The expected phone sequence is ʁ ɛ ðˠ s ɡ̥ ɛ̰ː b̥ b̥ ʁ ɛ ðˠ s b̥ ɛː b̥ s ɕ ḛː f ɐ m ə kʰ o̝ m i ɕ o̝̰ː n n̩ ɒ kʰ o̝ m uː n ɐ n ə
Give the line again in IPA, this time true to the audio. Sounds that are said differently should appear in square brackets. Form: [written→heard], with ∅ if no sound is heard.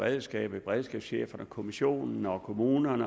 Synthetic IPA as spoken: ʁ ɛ ðˠ s ɡ̥ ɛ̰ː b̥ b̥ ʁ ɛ ðˠ s [b̥→ɡ̥] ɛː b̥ s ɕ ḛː f ɐ [m→n] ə kʰ o̝ m i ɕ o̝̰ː n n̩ ɒ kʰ o̝ m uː n ɐ n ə